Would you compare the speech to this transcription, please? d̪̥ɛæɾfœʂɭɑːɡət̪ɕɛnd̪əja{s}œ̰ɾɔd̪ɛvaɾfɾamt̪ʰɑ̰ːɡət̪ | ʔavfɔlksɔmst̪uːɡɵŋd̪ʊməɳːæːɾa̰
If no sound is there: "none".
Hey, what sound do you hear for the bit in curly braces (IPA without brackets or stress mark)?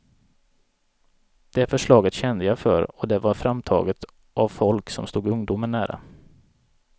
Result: f